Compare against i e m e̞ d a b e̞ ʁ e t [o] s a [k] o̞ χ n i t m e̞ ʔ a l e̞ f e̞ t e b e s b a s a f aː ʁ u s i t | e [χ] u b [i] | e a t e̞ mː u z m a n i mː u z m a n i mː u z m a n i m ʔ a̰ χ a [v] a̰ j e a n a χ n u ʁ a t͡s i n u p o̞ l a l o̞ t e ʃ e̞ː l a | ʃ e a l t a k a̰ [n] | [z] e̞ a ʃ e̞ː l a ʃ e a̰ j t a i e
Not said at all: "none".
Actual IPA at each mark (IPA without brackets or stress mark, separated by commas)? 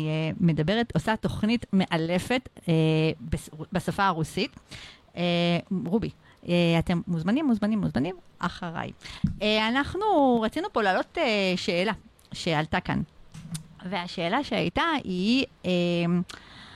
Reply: o, t, ʁ, i, ʁ, n, v